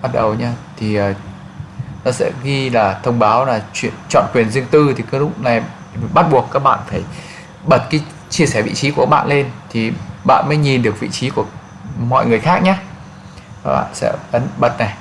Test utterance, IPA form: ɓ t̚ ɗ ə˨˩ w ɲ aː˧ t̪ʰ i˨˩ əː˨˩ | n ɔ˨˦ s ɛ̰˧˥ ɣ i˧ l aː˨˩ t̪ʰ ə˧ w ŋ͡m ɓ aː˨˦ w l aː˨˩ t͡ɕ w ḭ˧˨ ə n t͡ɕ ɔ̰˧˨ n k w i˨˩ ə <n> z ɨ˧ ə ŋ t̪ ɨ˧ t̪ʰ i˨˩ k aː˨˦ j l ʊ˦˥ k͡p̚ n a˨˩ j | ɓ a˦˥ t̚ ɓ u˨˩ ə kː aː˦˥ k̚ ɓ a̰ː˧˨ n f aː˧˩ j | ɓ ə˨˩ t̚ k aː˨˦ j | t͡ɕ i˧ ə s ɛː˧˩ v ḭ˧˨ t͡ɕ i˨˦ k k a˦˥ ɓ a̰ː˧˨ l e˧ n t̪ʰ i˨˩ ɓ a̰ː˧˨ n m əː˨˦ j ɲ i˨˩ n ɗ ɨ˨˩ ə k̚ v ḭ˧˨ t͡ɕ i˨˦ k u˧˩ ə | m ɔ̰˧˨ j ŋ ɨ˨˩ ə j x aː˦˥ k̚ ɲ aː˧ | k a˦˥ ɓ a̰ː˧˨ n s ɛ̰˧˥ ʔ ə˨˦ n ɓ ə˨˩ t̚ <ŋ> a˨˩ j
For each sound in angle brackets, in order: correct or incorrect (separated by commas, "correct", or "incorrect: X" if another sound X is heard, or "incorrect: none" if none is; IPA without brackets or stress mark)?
correct, incorrect: n